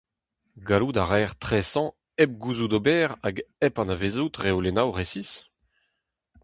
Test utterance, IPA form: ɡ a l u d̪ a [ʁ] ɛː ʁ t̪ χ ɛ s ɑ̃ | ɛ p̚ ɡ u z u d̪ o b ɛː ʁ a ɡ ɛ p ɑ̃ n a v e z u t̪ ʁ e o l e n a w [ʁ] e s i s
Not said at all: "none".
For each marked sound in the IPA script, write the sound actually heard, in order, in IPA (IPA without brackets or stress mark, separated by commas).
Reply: ʁ, ʁ